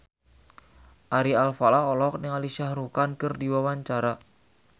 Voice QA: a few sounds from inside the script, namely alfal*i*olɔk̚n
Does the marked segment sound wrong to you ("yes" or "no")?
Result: yes